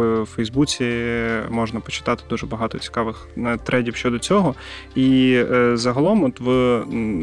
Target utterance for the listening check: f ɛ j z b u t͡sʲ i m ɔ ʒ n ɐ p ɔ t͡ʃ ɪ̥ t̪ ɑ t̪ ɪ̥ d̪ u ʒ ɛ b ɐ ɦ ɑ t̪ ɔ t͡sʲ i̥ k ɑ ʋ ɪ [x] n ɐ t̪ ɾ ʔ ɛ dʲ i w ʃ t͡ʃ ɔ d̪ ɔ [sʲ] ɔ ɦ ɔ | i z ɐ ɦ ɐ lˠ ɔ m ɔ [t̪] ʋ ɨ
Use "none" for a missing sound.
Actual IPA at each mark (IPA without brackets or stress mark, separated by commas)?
x, t͡sʲ, t̪